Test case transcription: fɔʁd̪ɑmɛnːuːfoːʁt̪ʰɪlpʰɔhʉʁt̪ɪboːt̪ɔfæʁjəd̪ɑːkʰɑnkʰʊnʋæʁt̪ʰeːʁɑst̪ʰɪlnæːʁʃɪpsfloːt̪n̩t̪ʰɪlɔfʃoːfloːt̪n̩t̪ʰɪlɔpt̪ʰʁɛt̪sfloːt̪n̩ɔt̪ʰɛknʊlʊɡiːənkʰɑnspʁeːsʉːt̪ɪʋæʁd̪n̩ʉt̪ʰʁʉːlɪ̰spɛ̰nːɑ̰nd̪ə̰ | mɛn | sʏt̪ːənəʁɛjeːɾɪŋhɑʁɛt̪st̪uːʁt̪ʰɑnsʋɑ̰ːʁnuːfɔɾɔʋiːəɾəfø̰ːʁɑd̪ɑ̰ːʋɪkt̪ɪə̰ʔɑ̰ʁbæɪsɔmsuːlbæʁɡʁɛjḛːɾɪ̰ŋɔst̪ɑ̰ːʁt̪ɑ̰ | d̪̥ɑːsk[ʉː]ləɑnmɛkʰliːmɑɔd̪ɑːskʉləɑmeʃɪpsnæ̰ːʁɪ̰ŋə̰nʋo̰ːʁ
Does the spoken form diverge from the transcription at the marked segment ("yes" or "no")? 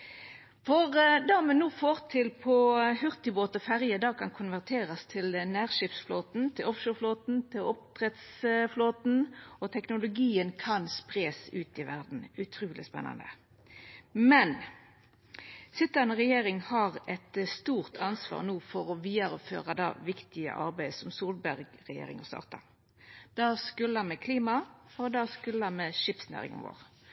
yes